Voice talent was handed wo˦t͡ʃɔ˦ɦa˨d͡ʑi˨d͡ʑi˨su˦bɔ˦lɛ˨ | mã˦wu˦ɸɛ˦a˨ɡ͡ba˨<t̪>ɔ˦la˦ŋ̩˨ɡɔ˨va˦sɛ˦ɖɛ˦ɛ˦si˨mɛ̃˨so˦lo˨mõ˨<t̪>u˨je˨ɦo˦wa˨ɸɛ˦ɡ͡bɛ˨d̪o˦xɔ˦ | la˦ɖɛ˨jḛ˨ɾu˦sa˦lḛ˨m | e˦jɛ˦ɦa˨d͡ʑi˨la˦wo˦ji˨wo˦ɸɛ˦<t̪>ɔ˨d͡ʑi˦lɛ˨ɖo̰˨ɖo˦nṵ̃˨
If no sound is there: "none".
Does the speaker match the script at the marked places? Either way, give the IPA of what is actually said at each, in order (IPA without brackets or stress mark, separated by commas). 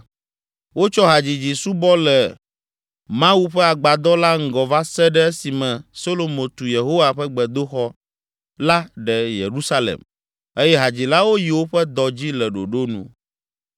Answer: d̪, t̪, d̪